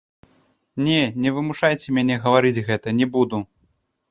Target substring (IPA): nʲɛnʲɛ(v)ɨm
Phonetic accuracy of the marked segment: correct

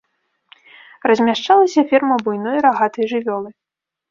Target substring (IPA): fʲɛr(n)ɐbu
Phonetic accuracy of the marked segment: incorrect: m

